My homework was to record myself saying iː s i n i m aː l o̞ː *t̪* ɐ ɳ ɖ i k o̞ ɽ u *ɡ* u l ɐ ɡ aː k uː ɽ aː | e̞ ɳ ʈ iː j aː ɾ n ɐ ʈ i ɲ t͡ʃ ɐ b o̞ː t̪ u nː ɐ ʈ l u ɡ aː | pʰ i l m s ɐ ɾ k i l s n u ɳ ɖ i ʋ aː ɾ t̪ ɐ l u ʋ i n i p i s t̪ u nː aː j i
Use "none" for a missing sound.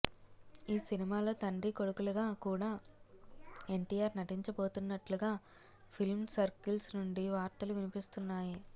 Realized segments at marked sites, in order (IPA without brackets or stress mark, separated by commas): t̪, k